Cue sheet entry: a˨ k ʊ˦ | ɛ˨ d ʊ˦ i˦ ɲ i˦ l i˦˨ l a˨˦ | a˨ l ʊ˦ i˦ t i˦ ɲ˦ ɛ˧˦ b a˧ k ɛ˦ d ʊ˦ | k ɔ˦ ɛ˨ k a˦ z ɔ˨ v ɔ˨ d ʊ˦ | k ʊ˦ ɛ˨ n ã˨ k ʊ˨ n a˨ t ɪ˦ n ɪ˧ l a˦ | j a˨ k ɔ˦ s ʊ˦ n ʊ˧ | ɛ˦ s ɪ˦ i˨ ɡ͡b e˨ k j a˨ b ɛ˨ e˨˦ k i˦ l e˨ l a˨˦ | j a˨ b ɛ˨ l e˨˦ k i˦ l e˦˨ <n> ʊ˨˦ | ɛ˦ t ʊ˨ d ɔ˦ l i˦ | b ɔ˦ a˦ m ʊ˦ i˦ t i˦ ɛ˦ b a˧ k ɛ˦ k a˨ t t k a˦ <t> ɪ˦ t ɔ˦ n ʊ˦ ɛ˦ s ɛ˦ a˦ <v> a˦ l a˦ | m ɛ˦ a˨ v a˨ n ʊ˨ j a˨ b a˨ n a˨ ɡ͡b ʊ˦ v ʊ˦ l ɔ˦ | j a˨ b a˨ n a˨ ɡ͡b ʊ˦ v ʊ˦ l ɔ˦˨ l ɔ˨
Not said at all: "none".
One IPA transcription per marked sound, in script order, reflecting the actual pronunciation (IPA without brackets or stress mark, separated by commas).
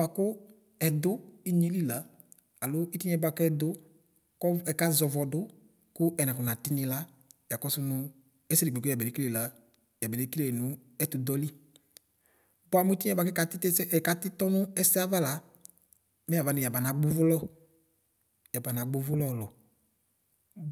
n, t, v